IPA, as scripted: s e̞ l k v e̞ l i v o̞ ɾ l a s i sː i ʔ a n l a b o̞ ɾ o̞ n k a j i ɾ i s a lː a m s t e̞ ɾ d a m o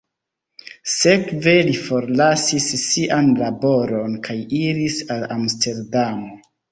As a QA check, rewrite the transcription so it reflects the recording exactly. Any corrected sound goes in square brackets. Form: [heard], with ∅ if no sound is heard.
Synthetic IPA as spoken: s e̞ [∅] k v e̞ l i [f] o̞ ɾ l a s i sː i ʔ a n l a b o̞ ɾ o̞ n k a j i ɾ i s a [l] a m s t e̞ ɾ d a m o

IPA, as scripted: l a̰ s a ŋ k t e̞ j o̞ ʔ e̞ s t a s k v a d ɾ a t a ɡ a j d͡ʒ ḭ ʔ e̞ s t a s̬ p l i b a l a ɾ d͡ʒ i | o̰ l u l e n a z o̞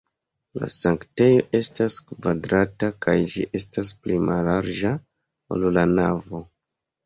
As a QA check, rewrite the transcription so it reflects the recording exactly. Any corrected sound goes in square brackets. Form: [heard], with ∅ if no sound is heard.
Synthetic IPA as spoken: l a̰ s a ŋ k t e̞ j o̞ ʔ e̞ s t a s k v a d ɾ a t a [k] a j d͡ʒ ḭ ʔ e̞ s t a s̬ p l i [m] a l a ɾ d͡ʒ [a] | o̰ l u l [a] n a [v] o̞

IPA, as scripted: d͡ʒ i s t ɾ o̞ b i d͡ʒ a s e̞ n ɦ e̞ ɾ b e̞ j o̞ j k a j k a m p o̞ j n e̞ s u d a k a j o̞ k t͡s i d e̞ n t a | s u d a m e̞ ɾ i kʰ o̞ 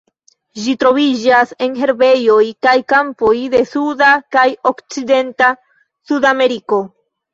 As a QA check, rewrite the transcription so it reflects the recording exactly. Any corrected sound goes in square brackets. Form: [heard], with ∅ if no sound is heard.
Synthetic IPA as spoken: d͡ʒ i [∅] t ɾ o̞ [v] i d͡ʒ a s e̞ n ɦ e̞ ɾ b e̞ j o̞ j k a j k a m p o̞ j [d] e̞ s u d a k a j o̞ k t͡s i d e̞ n t a | s u d a m e̞ ɾ i [k] o̞

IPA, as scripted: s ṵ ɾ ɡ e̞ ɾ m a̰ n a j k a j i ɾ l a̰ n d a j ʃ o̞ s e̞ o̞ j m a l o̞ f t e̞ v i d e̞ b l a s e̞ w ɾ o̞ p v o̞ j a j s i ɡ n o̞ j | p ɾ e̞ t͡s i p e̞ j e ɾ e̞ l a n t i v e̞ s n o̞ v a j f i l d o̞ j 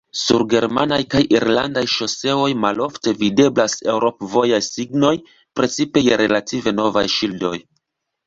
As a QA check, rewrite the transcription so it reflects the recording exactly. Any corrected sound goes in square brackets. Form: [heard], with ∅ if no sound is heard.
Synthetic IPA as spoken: s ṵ ɾ ɡ e̞ ɾ m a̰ n a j k a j i ɾ l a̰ n d a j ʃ o̞ s e̞ o̞ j m a l o̞ f t e̞ v i d e̞ b l a s e̞ w ɾ o̞ p v o̞ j a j s i ɡ n o̞ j | p ɾ e̞ t͡s i p e̞ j e ɾ e̞ l a [∅] t i v e̞ [∅] n o̞ v a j [ʃ] i l d o̞ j

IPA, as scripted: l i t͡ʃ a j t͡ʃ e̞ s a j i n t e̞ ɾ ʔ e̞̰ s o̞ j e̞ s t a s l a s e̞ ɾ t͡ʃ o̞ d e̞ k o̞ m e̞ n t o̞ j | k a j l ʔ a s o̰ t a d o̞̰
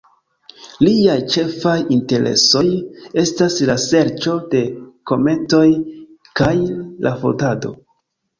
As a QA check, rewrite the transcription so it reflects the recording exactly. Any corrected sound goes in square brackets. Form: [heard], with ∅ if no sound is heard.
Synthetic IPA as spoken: l i [∅] a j t͡ʃ e̞ [f] a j i n t e̞ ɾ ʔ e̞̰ s o̞ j e̞ s t a s l a s e̞ ɾ t͡ʃ o̞ d e̞ k o̞ m e̞ n t o̞ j | k a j l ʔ a [f] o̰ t a d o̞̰

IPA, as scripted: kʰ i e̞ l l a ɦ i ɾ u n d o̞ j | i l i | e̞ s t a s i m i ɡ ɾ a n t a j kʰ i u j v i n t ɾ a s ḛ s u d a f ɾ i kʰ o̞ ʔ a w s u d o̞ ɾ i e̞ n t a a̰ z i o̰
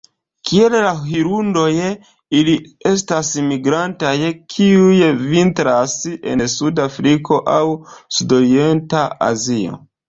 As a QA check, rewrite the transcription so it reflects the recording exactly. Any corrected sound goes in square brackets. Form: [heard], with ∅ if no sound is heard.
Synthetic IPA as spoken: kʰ i e̞ l l a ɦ i ɾ u n d o̞ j | i l i | e̞ s t a s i m i ɡ ɾ a n t a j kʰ i u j v i n t ɾ a s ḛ s u d a f ɾ i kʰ o̞ ʔ a w s u d o̞ ɾ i e̞ n t a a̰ z i o̰

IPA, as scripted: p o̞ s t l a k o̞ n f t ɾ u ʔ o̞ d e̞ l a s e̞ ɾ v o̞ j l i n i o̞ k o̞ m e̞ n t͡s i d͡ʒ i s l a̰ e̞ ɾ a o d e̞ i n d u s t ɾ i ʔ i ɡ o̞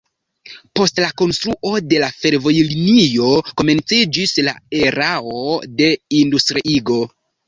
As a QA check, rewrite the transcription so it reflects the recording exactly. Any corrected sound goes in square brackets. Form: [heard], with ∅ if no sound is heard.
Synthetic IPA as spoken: p o̞ s t l a k o̞ n [s] t ɾ u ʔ o̞ d e̞ l a [f] e̞ ɾ v o̞ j l i n i o̞ k o̞ m e̞ n t͡s i d͡ʒ i s l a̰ e̞ ɾ a o d e̞ i n d u s t ɾ i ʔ i ɡ o̞

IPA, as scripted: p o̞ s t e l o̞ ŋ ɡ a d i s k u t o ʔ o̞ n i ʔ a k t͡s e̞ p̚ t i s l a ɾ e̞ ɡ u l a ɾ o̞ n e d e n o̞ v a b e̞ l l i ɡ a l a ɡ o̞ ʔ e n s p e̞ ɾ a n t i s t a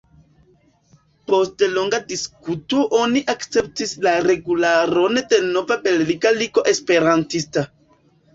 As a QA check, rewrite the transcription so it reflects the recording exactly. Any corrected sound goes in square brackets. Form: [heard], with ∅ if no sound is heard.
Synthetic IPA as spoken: p o̞ s t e l o̞ ŋ ɡ a d i s k u t o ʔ o̞ n i ʔ a k t͡s e̞ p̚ t i s l a ɾ e̞ ɡ u l a ɾ o̞ n e d e n o̞ v a b e̞ l l i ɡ a l [i] ɡ o̞ ʔ e [∅] s p e̞ ɾ a n t i s t a

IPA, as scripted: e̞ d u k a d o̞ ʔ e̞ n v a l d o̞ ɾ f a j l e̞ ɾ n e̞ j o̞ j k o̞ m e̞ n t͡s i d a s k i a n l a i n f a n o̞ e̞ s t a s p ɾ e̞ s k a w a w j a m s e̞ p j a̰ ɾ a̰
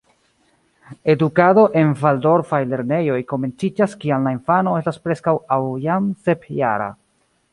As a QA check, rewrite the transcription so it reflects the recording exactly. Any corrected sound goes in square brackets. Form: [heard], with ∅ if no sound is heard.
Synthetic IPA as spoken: e̞ d u k a d o̞ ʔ e̞ n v a l d o̞ ɾ f a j l e̞ ɾ n e̞ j o̞ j k o̞ m e̞ n t͡s i [d͡ʒ] a s k i a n l a i n f a n o̞ e̞ s t a s p ɾ e̞ s k a w a w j a m s e̞ p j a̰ ɾ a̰

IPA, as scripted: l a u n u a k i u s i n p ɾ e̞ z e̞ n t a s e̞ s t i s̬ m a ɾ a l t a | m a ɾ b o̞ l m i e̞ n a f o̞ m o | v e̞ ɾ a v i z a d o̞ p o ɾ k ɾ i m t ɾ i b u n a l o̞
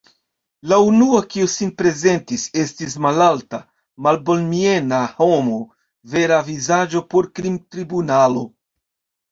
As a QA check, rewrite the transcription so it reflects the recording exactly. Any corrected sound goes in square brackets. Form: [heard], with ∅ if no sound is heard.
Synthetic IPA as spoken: l a u n u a k i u s i n p ɾ e̞ z e̞ n t [i] s e̞ s t i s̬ m a [l] a l t a | m a [l] b o̞ l m i e̞ n a [h] o̞ m o | v e̞ ɾ a v i z a [d͡ʒ] o̞ p o ɾ k ɾ i m t ɾ i b u n a l o̞

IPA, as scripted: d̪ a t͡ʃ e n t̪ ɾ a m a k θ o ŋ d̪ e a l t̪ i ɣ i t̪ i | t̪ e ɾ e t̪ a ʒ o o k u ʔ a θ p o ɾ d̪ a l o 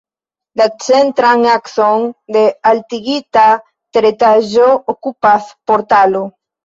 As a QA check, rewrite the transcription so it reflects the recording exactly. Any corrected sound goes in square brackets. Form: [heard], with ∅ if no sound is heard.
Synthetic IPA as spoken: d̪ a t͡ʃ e n t̪ ɾ a [ŋ] a k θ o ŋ d̪ e a l t̪ i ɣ i t̪ [a] | t̪ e ɾ e t̪ a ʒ o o k u [p] a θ p o ɾ [t̪] a l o

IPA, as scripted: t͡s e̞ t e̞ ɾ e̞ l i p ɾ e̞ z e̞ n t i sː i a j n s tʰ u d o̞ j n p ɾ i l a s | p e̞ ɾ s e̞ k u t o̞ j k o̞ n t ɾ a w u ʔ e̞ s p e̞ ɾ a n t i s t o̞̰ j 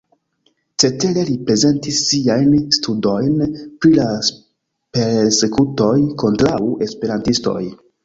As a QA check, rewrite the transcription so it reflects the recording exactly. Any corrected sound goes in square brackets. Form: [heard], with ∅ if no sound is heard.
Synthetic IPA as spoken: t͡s e̞ t e̞ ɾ e̞ l i p ɾ e̞ z e̞ n t i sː i a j n s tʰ u d o̞ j n p ɾ i l a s | p e̞ ɾ s e̞ k u t o̞ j k o̞ n t ɾ a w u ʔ e̞ s p e̞ ɾ a n t i s t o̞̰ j

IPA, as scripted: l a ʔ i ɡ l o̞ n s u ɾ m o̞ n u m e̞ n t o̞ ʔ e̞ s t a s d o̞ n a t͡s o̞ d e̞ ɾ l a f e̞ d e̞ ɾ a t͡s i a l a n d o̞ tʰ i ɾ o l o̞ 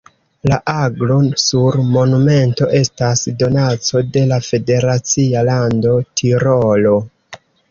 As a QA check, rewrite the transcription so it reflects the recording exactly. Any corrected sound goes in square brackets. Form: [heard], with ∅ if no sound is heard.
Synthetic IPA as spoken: l a ʔ [a] ɡ l o̞ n s u ɾ m o̞ n u m e̞ n t o̞ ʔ e̞ s t a s d o̞ n a t͡s o̞ d e̞ [∅] l a f e̞ d e̞ ɾ a t͡s i a l a n d o̞ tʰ i ɾ o l o̞

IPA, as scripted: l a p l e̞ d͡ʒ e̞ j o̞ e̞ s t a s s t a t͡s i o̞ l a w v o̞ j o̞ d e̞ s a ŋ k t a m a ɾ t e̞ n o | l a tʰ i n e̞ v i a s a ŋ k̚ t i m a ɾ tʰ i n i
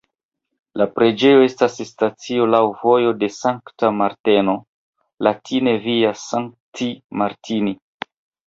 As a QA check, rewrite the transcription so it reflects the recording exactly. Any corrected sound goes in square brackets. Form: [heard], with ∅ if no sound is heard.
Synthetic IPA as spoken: l a p [ɾ] e̞ d͡ʒ e̞ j o̞ e̞ s t a s s t a t͡s i o̞ l a w v o̞ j o̞ d e̞ s a ŋ k t a m a ɾ t e̞ n o | l a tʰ i n e̞ v i a s a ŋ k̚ t i m a ɾ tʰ i n i

